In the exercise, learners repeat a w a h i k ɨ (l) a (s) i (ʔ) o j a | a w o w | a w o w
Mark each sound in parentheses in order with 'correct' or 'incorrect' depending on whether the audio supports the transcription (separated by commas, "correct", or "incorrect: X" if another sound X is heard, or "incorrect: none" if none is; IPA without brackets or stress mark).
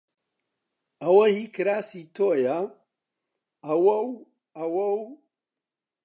incorrect: ɾ, correct, incorrect: t